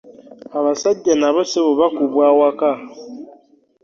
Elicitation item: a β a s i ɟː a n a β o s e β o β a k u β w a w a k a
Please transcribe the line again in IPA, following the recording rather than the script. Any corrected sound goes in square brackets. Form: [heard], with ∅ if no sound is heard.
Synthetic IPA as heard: a β a s [a] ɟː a n a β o s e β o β a k u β w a w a k a